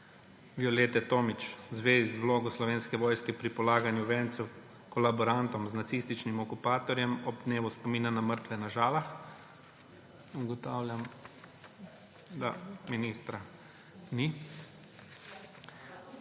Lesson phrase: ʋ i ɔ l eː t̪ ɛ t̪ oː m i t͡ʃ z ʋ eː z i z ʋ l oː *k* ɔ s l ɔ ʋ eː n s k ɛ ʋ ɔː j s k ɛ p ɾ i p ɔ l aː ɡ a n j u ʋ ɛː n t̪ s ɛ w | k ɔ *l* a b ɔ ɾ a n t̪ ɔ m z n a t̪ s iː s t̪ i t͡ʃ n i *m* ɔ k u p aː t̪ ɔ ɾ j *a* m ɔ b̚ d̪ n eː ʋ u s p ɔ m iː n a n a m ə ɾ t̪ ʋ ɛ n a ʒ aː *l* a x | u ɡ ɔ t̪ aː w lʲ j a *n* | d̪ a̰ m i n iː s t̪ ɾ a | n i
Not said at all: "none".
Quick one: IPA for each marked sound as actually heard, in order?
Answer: ɡ, l, m, ɛ, l, m

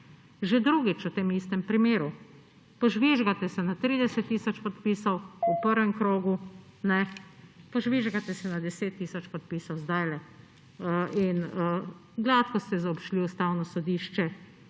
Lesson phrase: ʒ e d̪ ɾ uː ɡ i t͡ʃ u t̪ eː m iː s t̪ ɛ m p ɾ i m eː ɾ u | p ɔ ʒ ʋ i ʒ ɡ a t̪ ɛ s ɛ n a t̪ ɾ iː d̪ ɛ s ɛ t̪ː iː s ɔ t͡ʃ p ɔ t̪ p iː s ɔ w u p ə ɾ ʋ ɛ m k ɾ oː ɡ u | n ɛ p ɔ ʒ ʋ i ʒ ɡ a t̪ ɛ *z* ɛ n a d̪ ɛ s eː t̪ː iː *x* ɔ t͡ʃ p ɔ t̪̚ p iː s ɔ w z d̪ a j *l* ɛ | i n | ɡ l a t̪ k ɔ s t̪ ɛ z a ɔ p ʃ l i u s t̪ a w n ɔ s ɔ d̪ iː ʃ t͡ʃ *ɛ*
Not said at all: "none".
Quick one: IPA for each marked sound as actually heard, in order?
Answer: s, s, l, ɛ

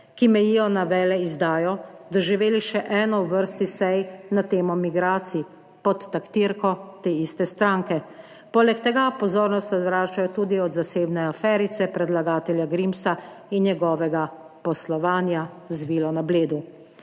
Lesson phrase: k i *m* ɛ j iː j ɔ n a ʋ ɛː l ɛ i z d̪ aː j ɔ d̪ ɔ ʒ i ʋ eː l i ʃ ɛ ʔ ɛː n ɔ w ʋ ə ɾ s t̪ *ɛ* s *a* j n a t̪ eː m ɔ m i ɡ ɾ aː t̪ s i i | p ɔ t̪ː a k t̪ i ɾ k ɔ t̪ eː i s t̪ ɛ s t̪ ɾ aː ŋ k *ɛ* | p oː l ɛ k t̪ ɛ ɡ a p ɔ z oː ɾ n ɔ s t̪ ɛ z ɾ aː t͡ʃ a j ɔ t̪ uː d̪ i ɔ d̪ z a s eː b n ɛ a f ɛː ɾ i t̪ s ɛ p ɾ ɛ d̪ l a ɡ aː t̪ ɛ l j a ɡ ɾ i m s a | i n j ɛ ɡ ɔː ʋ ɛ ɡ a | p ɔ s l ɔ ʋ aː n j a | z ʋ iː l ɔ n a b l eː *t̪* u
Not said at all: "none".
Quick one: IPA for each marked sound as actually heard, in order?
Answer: m, i, ɛ, ɛ, d̪

